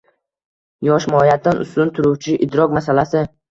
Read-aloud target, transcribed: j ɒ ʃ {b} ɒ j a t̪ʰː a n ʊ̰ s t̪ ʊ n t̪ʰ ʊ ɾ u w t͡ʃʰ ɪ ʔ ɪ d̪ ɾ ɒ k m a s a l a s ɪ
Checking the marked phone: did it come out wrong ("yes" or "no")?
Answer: yes